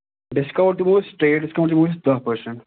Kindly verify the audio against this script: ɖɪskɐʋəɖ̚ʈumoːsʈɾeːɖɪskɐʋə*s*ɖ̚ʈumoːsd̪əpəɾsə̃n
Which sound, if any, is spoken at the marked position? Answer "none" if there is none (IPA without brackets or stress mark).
none